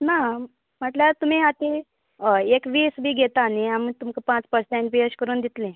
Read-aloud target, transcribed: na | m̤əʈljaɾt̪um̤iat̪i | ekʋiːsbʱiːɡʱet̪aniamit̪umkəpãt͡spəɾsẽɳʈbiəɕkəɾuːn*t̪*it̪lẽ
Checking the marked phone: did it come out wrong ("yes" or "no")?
yes